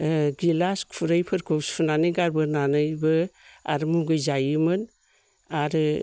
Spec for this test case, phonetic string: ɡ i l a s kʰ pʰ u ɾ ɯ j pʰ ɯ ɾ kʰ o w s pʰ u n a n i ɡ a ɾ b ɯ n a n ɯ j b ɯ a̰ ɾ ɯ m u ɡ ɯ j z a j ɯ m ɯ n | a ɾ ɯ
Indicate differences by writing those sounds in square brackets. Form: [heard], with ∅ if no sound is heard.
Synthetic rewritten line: ɡ i l a s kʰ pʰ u ɾ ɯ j pʰ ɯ ɾ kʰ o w s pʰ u n a n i ɡ a ɾ b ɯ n a n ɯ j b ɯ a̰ ɾ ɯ m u ɡ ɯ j z a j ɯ m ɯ n | a ɾ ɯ